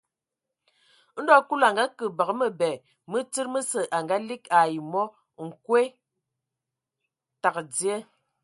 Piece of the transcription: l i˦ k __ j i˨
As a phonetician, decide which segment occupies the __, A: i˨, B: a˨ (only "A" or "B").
B